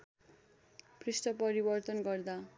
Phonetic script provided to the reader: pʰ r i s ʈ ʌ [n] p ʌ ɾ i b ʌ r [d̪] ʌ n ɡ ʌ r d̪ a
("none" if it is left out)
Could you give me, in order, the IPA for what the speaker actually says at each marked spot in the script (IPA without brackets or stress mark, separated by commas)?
none, t̪